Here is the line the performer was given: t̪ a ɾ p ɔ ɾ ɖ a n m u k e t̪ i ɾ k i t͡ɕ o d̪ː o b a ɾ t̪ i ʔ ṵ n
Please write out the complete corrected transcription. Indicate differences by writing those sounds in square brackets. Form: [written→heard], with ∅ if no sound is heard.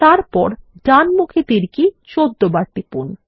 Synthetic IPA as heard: t̪ a ɾ p ɔ ɾ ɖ a n m u [k→kʰ] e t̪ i ɾ k i t͡ɕ o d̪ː o b a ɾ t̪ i [ʔ→p] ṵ n